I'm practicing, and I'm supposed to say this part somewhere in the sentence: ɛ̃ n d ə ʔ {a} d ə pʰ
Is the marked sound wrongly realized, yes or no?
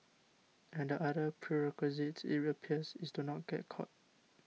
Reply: no